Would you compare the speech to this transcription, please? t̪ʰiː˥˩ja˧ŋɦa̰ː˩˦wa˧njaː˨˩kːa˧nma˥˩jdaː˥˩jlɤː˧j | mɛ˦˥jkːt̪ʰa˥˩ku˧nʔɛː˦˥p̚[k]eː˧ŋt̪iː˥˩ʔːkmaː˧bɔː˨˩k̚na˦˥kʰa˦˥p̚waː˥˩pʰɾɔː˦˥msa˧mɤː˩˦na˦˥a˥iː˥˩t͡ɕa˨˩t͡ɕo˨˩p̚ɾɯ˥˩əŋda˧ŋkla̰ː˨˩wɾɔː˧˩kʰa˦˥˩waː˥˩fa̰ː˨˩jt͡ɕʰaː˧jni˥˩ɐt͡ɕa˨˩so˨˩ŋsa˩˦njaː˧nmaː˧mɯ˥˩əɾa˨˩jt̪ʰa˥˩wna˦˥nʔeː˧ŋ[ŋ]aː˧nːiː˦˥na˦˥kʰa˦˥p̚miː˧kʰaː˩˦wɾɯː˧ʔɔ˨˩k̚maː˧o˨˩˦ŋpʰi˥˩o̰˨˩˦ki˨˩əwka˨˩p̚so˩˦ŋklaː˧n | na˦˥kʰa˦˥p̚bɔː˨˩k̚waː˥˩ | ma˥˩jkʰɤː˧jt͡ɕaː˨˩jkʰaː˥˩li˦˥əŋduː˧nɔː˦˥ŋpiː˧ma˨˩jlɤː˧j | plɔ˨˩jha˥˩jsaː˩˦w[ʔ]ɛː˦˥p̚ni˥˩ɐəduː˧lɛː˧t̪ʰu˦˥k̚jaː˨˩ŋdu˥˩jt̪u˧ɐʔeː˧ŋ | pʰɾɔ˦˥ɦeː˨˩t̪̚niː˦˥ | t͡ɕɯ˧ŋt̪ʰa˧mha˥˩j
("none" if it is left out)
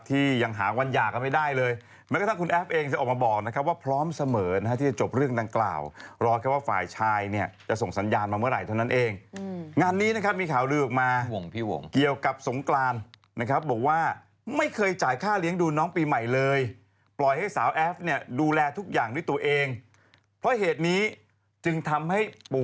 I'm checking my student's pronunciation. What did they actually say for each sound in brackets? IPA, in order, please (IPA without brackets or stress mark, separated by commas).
ʔ, ŋ, ʔ